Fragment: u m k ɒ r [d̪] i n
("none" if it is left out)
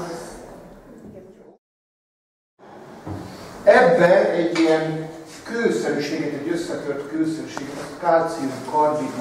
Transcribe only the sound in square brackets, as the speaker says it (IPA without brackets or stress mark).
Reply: d̪